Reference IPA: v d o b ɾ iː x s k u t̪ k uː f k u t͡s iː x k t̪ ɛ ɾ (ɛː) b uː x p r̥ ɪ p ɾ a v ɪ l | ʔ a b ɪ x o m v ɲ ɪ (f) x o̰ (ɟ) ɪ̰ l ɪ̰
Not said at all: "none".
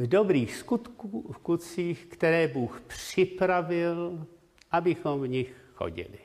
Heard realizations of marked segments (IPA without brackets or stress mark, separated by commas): ɛː, x, ɟ